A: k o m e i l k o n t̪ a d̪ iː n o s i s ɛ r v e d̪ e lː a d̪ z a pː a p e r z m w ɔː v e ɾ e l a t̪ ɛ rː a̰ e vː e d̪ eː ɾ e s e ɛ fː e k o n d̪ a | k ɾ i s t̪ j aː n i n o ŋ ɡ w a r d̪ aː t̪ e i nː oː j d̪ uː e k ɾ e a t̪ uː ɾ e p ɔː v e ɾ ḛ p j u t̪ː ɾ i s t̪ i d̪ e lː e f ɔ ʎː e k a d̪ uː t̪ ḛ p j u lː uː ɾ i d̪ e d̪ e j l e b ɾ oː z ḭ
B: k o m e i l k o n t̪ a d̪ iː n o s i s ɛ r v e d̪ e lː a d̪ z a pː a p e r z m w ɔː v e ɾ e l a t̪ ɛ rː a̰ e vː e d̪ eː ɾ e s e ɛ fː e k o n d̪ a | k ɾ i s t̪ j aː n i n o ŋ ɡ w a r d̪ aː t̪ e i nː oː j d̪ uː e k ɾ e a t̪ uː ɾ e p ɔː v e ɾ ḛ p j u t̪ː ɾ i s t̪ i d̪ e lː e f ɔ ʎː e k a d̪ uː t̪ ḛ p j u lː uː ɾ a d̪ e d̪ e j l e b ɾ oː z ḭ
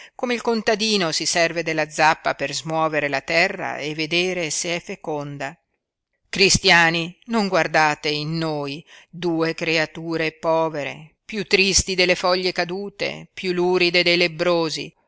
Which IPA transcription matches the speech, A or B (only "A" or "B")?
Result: A